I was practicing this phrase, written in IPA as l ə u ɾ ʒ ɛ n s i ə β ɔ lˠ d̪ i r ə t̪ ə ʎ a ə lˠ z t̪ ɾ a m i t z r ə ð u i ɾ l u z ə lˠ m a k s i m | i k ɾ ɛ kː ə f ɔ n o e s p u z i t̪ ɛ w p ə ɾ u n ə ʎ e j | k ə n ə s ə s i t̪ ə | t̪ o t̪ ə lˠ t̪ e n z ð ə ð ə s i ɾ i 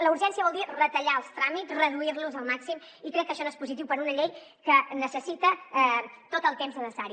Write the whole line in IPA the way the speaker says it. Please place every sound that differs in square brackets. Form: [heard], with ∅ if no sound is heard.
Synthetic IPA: l ə u ɾ ʒ ɛ n s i ə β ɔ lˠ d̪ i r ə t̪ ə ʎ a ə lˠ [s] t̪ ɾ a m i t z r ə ð u i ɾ l u z ə lˠ m a k s i m | i k ɾ ɛ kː ə [ʃ] ɔ n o e s p u z i t̪ [i] w p ə ɾ u n ə ʎ e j | k ə n ə s ə s i t̪ ə | t̪ o t̪ ə lˠ t̪ e [m] z ð ə ð ə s [a] ɾ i